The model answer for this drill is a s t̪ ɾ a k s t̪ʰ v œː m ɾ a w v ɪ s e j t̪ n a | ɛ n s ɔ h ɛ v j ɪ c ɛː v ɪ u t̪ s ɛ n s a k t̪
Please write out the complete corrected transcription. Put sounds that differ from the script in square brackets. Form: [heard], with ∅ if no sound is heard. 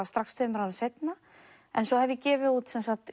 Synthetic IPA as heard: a s t̪ ɾ a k s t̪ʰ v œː m ɾ a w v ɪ s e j t̪ n a | ɛ n s ɔ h ɛ v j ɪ c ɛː v ɪ u t̪ s ɛ n s a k t̪